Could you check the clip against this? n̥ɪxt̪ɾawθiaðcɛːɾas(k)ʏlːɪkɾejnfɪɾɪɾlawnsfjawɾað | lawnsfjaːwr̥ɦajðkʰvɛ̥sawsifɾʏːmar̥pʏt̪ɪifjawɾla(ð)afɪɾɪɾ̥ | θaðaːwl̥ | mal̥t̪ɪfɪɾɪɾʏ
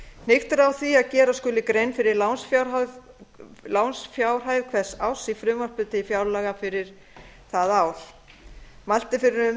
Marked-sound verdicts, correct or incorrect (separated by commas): correct, incorrect